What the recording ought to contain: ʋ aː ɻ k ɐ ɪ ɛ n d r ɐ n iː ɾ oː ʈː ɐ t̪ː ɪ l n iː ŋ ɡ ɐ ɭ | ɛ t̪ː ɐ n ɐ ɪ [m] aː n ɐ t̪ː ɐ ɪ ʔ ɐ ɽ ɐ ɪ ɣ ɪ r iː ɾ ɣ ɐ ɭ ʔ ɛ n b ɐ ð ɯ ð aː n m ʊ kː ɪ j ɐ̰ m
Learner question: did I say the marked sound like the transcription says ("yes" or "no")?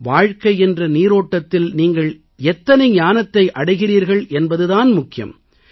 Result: no